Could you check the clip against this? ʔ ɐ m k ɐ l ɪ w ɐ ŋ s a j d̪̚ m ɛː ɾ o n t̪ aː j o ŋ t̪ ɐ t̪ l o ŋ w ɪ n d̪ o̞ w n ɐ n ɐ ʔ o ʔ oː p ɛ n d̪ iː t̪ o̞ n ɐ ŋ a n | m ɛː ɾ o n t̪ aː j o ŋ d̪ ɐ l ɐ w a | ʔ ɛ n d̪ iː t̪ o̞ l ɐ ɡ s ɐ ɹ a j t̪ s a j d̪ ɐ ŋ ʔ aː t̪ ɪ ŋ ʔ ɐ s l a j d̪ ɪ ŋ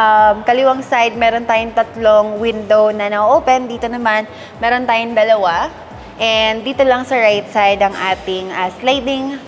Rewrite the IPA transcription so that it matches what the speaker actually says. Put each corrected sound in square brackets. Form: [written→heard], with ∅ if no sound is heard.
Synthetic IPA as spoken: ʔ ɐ m k ɐ l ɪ w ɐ ŋ s a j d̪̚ m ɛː ɾ o n t̪ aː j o ŋ t̪ ɐ t̪ l o ŋ w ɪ n d̪ o̞ w n ɐ n ɐ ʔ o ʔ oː p ɛ n d̪ iː t̪ o̞ n ɐ [ŋ→m] a n | m ɛː ɾ o n t̪ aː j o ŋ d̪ ɐ l ɐ w a | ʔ ɛ n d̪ iː t̪ o̞ l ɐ [ɡ→ŋ] s ɐ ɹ a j t̪ s a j d̪ ɐ ŋ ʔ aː t̪ ɪ ŋ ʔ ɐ s l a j d̪ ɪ ŋ

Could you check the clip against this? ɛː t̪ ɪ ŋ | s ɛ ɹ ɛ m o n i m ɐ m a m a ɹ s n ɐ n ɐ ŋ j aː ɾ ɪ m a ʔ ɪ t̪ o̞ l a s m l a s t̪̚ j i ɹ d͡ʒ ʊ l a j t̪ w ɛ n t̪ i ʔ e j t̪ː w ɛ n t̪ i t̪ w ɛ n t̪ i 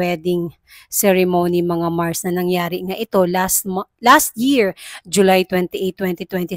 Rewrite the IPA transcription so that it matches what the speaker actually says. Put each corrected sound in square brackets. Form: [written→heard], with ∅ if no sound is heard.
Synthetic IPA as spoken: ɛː [t̪→d̪] ɪ ŋ | s ɛ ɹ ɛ m o n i m ɐ [m→ŋ] a m a ɹ s n ɐ n ɐ ŋ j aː ɾ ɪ [m→ŋ] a ʔ ɪ t̪ o̞ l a s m l a s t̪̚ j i ɹ d͡ʒ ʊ l a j t̪ w ɛ n t̪ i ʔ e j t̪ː w ɛ n t̪ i t̪ w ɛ n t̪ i

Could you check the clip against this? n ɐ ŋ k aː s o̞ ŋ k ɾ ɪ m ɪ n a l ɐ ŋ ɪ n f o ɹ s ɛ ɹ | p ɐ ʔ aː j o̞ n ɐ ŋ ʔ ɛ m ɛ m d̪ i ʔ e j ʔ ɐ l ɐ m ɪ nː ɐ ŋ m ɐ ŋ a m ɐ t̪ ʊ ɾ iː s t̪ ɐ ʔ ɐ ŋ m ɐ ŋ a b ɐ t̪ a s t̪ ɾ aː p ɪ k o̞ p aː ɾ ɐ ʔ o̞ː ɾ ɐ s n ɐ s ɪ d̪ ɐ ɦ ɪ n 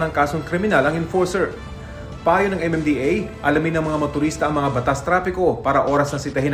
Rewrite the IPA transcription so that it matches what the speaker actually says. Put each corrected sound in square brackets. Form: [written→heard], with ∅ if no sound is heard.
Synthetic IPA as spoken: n ɐ ŋ k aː s o̞ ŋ k ɾ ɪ m ɪ n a l ɐ ŋ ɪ n f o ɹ s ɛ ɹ | p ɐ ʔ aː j o̞ n ɐ ŋ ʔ ɛ m ɛ m d̪ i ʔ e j ʔ ɐ l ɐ m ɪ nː ɐ ŋ m ɐ ŋ a m ɐ t̪ ʊ ɾ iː s t̪ ɐ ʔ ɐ ŋ m ɐ ŋ a b ɐ t̪ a s t̪ ɾ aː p ɪ k o̞ p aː ɾ ɐ ʔ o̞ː ɾ ɐ s n ɐ s ɪ [d̪→t̪] ɐ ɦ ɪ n

